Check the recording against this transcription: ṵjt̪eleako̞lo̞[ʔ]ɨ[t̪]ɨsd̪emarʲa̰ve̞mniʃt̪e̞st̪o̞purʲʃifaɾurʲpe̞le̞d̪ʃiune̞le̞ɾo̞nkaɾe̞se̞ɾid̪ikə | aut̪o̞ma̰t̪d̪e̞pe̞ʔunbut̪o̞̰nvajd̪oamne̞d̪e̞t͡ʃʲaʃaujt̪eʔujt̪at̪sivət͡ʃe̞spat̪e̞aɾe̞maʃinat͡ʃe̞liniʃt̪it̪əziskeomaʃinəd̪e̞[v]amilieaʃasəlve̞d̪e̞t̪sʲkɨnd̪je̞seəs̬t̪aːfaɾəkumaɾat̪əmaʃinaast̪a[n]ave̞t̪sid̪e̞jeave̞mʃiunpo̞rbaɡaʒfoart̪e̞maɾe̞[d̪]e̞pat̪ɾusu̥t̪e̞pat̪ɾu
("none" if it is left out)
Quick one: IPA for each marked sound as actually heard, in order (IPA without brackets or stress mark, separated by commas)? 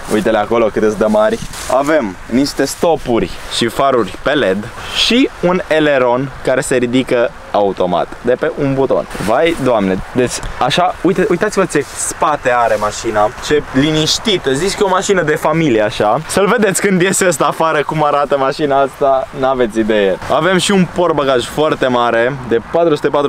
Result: k, t̪, f, n, d̪